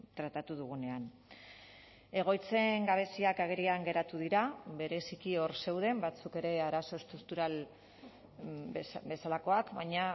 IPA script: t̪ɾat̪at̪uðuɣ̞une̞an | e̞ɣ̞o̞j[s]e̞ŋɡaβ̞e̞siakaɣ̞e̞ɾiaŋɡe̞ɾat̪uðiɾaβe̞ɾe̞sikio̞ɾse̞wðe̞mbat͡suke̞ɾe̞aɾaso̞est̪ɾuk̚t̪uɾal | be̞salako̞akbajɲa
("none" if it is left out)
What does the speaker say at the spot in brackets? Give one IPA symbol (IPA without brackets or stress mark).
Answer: t͡s